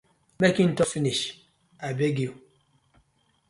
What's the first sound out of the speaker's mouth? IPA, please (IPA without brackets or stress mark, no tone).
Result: m